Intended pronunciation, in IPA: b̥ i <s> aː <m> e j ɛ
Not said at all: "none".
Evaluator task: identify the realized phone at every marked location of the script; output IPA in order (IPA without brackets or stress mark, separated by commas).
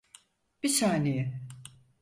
s, n